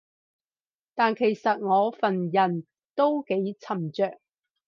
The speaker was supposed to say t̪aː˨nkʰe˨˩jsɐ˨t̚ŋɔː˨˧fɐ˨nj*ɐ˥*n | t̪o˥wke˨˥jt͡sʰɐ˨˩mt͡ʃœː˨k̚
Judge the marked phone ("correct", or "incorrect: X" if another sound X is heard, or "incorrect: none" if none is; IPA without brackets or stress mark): incorrect: ɐ˨˩